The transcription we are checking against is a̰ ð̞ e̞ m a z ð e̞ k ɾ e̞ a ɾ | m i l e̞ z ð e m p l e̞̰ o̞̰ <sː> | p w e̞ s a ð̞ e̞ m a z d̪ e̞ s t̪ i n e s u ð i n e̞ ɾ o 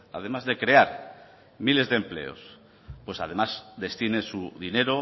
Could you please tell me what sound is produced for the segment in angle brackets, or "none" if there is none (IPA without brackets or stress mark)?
s